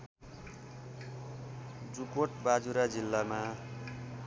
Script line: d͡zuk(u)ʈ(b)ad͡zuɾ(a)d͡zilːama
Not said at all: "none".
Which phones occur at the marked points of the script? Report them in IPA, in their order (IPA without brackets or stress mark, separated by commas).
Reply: o, b, a